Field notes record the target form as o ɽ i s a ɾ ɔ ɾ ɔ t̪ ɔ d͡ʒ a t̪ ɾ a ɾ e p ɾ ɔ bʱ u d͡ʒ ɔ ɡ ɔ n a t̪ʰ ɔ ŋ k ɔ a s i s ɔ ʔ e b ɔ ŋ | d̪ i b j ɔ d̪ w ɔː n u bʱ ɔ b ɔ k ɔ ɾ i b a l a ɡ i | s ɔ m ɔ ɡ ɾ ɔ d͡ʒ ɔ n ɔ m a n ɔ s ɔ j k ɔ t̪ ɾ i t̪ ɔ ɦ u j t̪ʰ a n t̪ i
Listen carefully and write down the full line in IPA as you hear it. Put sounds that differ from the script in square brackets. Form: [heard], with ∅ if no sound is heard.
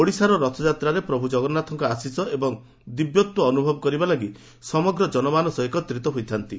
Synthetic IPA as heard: o ɽ i s a ɾ ɔ ɾ ɔ [t̪ʰ] ɔ d͡ʒ a t̪ ɾ a ɾ e p ɾ ɔ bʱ u d͡ʒ ɔ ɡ ɔ n a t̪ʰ ɔ ŋ k ɔ a s i s ɔ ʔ e b ɔ ŋ | d̪ i b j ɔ [t̪] w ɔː n u bʱ ɔ b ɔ k ɔ ɾ i b a l a ɡ i | s ɔ m ɔ ɡ ɾ ɔ d͡ʒ ɔ n ɔ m a n ɔ s ɔ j k ɔ t̪ ɾ i t̪ ɔ ɦ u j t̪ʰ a n t̪ i

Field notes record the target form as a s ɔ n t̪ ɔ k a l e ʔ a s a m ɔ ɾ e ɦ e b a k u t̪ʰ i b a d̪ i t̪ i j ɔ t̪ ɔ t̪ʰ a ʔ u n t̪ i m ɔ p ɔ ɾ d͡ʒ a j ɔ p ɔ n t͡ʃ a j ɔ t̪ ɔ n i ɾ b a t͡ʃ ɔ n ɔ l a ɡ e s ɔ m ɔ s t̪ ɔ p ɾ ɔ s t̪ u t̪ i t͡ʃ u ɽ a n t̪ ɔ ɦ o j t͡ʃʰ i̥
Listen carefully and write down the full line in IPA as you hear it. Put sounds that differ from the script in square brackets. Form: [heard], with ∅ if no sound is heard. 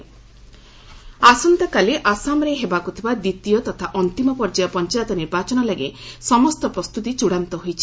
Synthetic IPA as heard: a s ɔ n t̪ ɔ k a l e ʔ a s a m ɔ ɾ e ɦ e b a k u t̪ʰ i b a d̪ i t̪ i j ɔ t̪ ɔ t̪ʰ a ʔ [ɔ] n t̪ i m ɔ p ɔ ɾ d͡ʒ a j ɔ p ɔ n t͡ʃ a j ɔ t̪ ɔ n i ɾ b a t͡ʃ ɔ n ɔ l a ɡ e s ɔ m ɔ s t̪ ɔ p ɾ ɔ s t̪ u t̪ i t͡ʃ u ɽ a n t̪ ɔ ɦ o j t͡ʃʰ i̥

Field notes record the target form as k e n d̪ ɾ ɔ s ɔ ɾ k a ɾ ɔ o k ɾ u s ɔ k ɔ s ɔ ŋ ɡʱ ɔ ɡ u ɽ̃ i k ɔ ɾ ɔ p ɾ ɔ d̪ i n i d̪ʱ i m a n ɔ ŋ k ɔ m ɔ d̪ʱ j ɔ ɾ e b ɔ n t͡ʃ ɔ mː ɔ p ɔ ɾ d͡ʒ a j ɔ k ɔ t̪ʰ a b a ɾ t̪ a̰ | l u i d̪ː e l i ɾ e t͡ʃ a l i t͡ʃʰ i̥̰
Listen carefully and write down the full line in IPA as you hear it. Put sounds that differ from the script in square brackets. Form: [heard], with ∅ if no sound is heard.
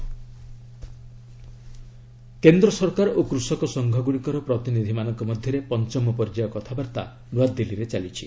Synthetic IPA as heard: k e n d̪ ɾ ɔ s ɔ ɾ k a ɾ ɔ o k ɾ u s ɔ k ɔ s ɔ ŋ ɡʱ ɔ ɡ u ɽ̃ i k ɔ ɾ ɔ p ɾ ɔ [t̪] i n i d̪ʱ i m a n ɔ ŋ k ɔ m ɔ d̪ʱ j ɔ ɾ e [p] ɔ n t͡ʃ ɔ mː ɔ p ɔ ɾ d͡ʒ a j ɔ k ɔ t̪ʰ a b a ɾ t̪ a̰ | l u [a] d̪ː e l i ɾ e t͡ʃ a l i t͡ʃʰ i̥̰

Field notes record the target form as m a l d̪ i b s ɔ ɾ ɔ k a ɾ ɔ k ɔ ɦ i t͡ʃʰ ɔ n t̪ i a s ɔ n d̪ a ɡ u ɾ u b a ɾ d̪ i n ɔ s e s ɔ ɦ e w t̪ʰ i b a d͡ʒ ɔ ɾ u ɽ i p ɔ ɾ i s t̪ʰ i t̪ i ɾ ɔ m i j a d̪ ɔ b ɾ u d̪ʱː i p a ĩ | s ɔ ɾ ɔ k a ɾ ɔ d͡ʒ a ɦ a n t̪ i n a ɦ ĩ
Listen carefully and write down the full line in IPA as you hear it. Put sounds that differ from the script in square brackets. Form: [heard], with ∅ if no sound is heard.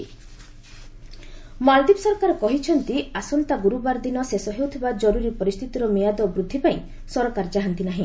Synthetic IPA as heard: m a l d̪ i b s ɔ ɾ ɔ k a ɾ ɔ k ɔ ɦ i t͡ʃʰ ɔ n t̪ i a s ɔ n [t̪] a ɡ u ɾ u b a ɾ d̪ i n ɔ s e s ɔ ɦ e w t̪ʰ i b a d͡ʒ ɔ ɾ u [ɾ] i p ɔ ɾ i s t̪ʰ i t̪ i ɾ ɔ m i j a d̪ ɔ b ɾ u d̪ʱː i p a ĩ | s ɔ ɾ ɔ k a ɾ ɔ d͡ʒ a ɦ a n t̪ i n a ɦ ĩ

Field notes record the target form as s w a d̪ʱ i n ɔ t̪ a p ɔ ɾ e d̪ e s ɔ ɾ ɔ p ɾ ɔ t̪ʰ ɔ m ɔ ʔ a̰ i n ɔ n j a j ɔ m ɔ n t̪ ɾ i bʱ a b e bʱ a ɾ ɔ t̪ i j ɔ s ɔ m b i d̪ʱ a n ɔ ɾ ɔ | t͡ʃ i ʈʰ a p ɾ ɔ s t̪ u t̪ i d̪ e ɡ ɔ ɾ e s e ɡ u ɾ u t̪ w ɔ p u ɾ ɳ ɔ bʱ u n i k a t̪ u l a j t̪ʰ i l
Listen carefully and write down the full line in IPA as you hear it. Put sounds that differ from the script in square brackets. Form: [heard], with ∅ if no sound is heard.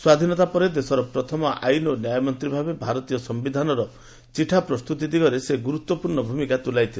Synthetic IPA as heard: s w a d̪ʱ i n ɔ t̪ a p ɔ ɾ e d̪ e s ɔ ɾ ɔ p ɾ ɔ t̪ʰ ɔ m ɔ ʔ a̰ [j] n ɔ n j a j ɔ m ɔ n t̪ ɾ i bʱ a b e bʱ a ɾ ɔ t̪ i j ɔ s ɔ m b i d̪ʱ a n ɔ ɾ ɔ | t͡ʃ i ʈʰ a p ɾ ɔ s t̪ u t̪ i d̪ [i] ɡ ɔ ɾ e s e ɡ u ɾ u t̪ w ɔ p u ɾ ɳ ɔ bʱ u [m] i k a t̪ u l a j t̪ʰ i l

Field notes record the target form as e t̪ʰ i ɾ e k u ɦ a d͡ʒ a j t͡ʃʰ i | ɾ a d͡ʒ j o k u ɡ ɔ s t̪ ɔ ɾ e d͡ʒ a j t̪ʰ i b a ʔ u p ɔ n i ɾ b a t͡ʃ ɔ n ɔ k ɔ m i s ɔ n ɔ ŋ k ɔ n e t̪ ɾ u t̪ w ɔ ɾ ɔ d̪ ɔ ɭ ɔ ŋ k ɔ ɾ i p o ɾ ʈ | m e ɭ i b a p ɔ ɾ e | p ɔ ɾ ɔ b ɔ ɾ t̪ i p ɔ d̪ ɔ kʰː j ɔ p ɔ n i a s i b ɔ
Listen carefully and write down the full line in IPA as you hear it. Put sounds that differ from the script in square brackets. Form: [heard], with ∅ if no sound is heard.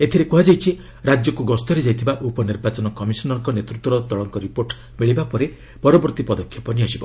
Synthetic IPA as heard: e t̪ʰ i ɾ e k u ɦ a d͡ʒ a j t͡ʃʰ i | ɾ a d͡ʒ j [ɔ] k u ɡ ɔ s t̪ ɔ ɾ e d͡ʒ a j t̪ʰ i b a ʔ u p ɔ n i ɾ b a t͡ʃ ɔ n ɔ k ɔ m i s ɔ n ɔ ŋ k ɔ n e t̪ ɾ u t̪ w ɔ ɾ ɔ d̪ ɔ ɭ ɔ ŋ k ɔ ɾ i p o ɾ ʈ | m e ɭ i b a p ɔ ɾ e | p ɔ ɾ ɔ b ɔ ɾ t̪ i p ɔ d̪ ɔ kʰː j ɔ p ɔ n i a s i b ɔ

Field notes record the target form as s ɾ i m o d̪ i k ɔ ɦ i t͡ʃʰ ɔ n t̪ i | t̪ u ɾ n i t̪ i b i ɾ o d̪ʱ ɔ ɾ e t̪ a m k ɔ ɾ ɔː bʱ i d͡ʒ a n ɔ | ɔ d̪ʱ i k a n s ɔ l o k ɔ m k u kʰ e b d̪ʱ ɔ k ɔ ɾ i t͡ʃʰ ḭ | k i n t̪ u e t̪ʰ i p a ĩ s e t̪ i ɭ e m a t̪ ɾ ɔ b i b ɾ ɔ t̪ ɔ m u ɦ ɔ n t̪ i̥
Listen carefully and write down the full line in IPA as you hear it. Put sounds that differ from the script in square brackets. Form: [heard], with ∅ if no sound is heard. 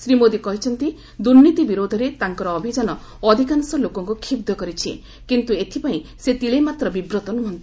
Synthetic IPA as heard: s ɾ i m o d̪ i k ɔ ɦ i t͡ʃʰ ɔ n t̪ i | [d̪] u ɾ n i t̪ i b i ɾ o d̪ʱ ɔ ɾ e t̪ a [ŋ] k ɔ ɾ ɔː bʱ i d͡ʒ a n ɔ | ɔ d̪ʱ i k a n s ɔ l o k ɔ [ŋ] k u kʰ [i] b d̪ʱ ɔ k ɔ ɾ i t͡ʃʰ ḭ | k i n t̪ u e t̪ʰ i p a ĩ s e t̪ i ɭ e m a t̪ ɾ ɔ b i b ɾ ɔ t̪ ɔ [n] u ɦ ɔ n t̪ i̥

